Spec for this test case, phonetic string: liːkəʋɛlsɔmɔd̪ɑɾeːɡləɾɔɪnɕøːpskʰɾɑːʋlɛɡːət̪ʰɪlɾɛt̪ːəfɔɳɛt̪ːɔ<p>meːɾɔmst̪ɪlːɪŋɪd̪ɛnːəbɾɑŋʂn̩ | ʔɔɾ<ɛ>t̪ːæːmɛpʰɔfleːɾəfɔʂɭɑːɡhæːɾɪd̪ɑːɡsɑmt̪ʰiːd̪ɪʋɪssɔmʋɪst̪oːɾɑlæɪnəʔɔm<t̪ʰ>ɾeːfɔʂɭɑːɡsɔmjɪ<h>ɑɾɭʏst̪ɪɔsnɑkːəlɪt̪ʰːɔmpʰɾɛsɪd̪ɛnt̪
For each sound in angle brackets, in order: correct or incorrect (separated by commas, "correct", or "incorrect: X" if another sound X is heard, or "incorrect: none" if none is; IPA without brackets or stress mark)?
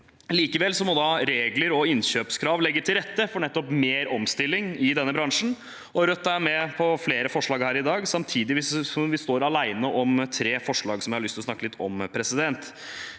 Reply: correct, incorrect: œ, correct, correct